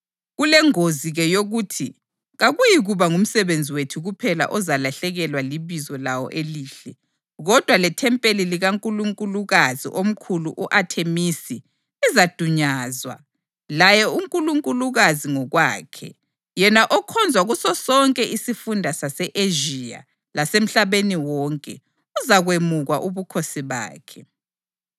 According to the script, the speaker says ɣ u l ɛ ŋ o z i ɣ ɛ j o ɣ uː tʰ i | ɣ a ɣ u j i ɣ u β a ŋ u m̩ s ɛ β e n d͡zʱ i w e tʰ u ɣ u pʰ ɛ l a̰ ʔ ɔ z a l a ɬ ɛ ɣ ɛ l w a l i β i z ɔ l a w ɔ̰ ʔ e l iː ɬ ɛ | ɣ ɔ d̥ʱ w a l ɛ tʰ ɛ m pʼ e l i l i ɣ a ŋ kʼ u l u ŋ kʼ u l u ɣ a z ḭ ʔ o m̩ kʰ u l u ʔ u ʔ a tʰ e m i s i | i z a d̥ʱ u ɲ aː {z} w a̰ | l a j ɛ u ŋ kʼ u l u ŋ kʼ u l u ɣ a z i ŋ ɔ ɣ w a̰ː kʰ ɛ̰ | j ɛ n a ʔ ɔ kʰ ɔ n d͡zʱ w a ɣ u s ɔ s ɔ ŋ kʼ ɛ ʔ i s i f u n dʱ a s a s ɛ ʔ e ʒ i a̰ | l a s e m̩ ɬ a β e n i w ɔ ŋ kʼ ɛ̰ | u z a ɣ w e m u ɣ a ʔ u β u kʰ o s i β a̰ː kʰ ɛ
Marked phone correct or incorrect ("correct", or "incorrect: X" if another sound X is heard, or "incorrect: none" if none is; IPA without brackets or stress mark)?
correct